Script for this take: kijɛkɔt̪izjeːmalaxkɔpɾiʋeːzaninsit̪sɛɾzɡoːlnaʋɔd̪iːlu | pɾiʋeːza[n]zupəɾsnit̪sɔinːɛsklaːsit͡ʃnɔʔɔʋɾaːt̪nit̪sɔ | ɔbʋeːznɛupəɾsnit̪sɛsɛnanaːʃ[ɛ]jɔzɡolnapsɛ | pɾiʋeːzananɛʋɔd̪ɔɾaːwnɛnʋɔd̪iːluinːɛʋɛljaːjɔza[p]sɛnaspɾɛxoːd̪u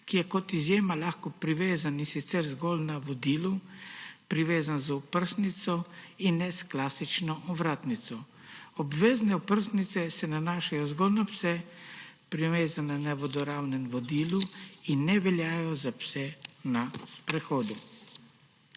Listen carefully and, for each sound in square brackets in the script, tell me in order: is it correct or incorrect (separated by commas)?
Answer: correct, incorrect, correct